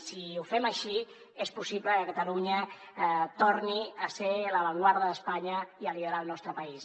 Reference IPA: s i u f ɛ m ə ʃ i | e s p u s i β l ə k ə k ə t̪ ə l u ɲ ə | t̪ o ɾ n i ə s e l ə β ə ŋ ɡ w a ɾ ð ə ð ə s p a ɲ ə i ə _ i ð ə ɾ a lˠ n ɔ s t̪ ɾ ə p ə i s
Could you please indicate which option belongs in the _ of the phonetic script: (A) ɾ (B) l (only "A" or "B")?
B